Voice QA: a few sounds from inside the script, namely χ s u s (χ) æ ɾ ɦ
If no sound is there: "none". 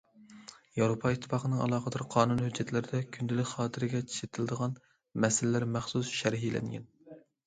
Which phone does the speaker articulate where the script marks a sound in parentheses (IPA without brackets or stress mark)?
ʃ